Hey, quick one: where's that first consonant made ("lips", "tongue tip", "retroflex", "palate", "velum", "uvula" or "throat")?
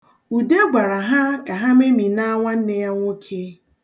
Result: tongue tip